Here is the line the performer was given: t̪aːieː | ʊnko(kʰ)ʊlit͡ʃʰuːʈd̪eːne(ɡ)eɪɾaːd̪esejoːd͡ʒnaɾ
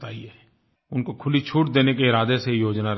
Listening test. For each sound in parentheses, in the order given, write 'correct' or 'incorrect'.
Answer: correct, incorrect: k

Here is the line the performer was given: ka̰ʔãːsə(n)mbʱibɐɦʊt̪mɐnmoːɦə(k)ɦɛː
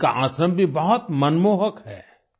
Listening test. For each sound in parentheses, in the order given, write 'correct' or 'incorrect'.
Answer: incorrect: none, correct

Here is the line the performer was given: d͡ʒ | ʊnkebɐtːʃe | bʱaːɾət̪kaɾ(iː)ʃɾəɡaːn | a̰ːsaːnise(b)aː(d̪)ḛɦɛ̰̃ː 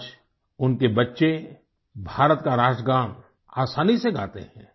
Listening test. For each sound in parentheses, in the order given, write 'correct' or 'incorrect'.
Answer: incorrect: aː, incorrect: ɡ, incorrect: t̪

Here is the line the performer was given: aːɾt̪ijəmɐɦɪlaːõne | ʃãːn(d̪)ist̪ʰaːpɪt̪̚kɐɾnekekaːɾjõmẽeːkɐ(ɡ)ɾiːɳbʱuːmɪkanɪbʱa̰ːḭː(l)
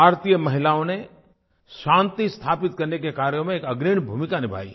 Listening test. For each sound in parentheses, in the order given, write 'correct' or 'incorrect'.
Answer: incorrect: t̪, correct, incorrect: none

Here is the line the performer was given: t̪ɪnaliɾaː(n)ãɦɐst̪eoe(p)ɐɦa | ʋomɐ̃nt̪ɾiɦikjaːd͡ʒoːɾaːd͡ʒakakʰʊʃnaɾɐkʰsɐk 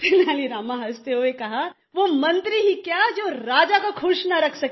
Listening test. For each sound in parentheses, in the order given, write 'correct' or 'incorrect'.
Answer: incorrect: m, incorrect: k

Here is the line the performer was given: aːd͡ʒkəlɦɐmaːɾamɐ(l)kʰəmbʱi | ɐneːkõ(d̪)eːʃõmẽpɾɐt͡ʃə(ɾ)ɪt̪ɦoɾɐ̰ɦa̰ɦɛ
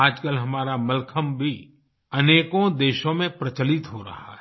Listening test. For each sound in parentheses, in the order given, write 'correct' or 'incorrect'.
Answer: correct, correct, incorrect: l

